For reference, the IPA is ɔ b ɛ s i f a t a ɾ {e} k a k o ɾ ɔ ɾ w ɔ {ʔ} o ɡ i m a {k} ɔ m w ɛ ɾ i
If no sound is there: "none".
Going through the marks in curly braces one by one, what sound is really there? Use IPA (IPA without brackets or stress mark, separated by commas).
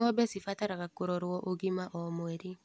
a, ʔ, ʔ